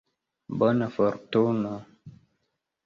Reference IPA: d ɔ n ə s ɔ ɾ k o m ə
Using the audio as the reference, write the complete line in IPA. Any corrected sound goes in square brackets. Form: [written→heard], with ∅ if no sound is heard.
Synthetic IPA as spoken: [d→b] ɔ n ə [s→f] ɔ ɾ [k→t] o [m→n] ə